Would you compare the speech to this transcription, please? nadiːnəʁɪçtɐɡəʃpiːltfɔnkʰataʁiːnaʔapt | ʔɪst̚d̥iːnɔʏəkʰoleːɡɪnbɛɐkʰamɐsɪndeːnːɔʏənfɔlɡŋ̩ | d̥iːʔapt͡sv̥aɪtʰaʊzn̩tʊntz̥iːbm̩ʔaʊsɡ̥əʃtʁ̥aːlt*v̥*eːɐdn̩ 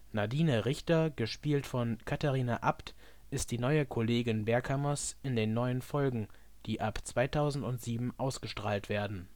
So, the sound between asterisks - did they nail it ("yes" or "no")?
yes